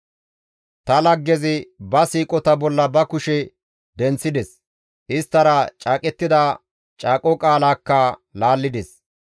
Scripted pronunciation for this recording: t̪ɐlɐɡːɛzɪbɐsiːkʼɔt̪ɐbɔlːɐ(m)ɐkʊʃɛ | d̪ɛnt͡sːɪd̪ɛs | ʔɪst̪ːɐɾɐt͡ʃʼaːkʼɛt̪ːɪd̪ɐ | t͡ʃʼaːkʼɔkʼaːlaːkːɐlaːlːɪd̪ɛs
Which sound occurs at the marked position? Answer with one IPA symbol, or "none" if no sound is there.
b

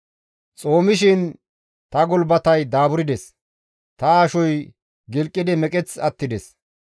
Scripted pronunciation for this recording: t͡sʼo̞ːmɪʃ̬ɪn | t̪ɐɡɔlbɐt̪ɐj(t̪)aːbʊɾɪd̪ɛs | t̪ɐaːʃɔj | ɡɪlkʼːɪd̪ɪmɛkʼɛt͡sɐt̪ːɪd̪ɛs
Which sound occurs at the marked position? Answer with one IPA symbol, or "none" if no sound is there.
d̪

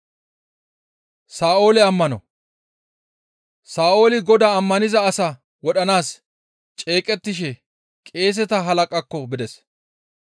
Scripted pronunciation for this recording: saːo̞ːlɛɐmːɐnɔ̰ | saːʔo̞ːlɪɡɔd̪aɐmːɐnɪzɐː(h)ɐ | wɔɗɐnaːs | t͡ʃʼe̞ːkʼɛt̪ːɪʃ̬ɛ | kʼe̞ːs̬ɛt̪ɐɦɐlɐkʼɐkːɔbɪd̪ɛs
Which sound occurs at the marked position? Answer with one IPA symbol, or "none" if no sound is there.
s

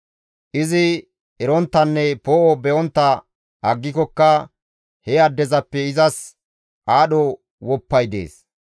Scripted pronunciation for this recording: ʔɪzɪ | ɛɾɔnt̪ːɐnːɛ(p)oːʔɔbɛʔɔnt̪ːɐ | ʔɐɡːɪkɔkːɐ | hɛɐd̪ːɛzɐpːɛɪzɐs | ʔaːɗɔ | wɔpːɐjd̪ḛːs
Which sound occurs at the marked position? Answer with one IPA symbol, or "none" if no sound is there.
p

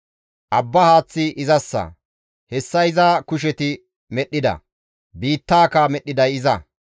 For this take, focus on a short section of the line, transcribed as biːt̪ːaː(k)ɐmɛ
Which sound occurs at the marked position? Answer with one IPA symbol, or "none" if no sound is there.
k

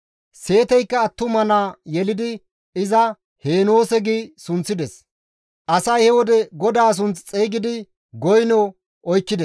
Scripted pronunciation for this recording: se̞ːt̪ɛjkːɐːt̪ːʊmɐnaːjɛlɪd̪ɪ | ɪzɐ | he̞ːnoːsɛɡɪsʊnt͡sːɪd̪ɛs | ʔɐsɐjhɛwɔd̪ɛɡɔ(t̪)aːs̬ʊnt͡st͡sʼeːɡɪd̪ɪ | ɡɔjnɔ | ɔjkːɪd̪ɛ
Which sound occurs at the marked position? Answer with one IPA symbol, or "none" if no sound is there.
d̪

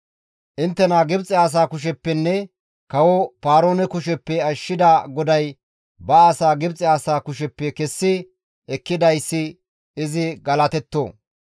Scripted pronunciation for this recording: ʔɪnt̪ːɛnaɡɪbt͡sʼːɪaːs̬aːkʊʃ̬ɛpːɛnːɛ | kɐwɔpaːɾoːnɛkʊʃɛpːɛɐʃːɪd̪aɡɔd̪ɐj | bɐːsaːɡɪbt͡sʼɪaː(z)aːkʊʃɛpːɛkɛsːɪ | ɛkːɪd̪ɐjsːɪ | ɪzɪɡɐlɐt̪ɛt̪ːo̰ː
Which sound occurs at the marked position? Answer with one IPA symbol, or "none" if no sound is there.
s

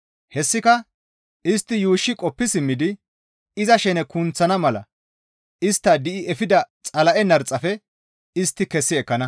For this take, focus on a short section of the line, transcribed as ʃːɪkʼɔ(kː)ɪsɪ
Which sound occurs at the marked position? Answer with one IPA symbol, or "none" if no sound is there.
pː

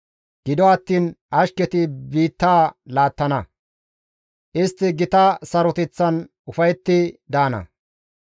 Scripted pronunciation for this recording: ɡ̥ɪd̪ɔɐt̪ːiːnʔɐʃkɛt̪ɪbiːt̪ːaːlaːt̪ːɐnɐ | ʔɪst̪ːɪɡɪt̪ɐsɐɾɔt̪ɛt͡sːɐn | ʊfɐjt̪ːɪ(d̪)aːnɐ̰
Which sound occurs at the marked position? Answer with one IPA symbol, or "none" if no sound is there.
d̪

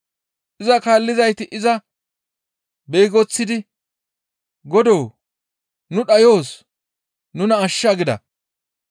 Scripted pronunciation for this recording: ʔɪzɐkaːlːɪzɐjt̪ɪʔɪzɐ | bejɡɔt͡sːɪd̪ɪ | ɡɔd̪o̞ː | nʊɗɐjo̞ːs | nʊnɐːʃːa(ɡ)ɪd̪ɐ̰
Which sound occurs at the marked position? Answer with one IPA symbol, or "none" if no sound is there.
ɡ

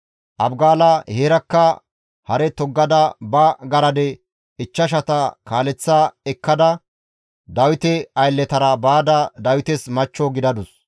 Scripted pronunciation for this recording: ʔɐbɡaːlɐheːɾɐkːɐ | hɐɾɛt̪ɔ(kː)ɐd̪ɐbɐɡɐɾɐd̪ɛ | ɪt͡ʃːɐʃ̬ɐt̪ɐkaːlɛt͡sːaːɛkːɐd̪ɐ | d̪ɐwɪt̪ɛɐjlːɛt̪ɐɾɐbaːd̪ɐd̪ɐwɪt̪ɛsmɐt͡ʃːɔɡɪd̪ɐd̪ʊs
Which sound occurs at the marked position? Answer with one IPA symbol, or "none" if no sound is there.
ɡː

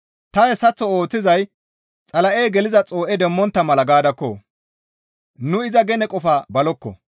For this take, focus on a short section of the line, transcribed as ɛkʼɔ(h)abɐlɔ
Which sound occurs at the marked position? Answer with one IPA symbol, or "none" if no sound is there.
f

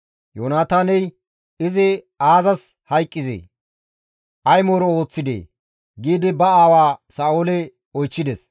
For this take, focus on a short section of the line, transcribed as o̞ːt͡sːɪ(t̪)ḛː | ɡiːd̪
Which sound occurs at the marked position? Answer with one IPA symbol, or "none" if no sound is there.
d̪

